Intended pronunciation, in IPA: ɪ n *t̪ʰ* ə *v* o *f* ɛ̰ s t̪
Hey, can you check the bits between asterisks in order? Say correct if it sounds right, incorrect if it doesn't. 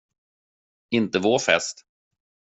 incorrect: t̪, correct, correct

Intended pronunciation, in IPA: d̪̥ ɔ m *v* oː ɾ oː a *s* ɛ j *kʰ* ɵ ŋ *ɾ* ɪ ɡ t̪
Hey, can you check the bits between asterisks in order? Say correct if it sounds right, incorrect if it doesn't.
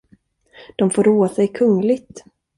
incorrect: f, correct, correct, incorrect: l

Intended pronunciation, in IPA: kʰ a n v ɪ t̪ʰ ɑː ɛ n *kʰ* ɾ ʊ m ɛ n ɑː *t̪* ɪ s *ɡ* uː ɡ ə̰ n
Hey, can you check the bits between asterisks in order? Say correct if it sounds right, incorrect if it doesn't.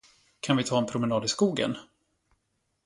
incorrect: pʰ, incorrect: d̪, incorrect: k

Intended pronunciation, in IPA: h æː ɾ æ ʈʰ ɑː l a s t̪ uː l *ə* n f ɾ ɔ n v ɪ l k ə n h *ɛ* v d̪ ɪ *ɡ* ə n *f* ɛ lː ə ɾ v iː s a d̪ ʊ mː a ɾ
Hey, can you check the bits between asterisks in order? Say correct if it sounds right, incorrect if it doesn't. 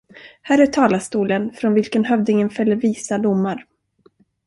correct, incorrect: œ, incorrect: ŋ, correct

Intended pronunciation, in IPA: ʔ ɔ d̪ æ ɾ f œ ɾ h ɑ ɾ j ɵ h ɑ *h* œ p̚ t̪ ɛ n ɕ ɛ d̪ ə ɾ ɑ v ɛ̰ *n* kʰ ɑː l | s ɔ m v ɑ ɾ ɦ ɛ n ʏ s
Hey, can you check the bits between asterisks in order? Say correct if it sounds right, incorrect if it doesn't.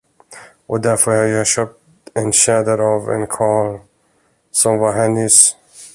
incorrect: ɕ, correct

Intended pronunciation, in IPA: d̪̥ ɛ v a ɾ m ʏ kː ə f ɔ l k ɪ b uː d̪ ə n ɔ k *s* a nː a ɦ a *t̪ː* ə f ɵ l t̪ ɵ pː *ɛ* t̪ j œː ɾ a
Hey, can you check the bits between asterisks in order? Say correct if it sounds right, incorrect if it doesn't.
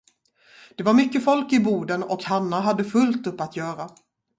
incorrect: h, incorrect: d̪ː, incorrect: a

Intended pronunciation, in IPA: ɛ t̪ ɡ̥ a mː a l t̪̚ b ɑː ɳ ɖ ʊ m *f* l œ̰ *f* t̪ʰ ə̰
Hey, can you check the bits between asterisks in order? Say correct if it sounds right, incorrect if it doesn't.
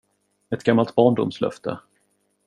incorrect: s, correct

